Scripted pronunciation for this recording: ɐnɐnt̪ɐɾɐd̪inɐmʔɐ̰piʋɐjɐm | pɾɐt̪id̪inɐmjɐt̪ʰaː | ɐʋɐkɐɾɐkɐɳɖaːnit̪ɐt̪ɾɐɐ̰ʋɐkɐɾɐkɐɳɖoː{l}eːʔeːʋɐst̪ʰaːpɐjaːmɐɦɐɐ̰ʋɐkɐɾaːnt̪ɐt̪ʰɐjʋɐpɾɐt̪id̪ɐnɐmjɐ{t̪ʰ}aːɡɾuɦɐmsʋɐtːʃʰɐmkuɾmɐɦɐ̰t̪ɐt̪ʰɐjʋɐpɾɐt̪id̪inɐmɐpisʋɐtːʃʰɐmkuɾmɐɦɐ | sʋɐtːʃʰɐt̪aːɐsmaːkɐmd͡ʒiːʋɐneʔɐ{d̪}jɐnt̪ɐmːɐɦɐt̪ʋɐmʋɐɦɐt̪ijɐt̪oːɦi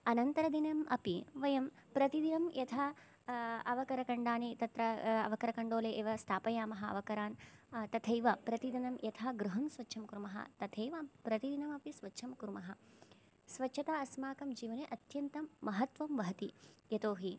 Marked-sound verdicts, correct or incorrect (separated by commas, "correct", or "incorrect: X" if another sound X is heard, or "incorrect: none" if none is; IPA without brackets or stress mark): correct, correct, incorrect: t̪